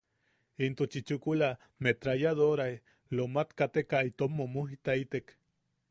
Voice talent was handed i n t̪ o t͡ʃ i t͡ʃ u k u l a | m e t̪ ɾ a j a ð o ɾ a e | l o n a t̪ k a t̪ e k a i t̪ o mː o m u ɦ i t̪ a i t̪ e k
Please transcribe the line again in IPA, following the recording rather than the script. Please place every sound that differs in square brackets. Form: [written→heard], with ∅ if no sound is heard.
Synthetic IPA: i n t̪ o t͡ʃ i t͡ʃ u k u l a | m e t̪ ɾ a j a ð o ɾ a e | l o [n→m] a t̪ k a t̪ e k a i t̪ o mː o m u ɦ i t̪ a i t̪ e k